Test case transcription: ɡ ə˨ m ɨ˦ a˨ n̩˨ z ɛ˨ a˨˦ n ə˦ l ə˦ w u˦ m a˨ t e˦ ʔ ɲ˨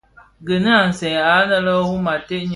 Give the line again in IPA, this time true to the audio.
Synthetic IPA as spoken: ɡ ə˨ n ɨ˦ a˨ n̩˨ s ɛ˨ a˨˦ n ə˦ l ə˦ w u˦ m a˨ t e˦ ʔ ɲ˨